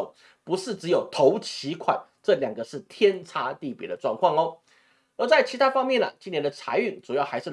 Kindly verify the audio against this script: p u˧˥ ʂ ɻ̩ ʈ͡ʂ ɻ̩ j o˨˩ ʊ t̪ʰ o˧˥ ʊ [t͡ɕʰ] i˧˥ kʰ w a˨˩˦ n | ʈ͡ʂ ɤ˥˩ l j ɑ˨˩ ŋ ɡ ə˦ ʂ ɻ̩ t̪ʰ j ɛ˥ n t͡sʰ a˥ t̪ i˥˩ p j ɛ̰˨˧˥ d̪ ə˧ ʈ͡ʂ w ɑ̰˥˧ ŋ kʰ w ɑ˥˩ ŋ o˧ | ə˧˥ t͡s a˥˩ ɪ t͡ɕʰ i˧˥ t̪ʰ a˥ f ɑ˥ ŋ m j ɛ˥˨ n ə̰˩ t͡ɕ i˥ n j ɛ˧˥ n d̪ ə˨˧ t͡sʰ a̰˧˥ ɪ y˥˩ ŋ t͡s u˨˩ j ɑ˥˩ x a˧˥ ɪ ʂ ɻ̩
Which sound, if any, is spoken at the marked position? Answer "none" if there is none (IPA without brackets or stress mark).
t͡ɕʰ